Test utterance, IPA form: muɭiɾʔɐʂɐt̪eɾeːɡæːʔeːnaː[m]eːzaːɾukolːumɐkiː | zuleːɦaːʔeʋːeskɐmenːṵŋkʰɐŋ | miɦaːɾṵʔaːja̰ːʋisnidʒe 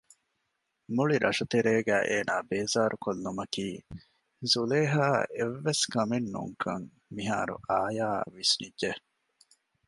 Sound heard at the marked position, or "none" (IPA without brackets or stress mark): b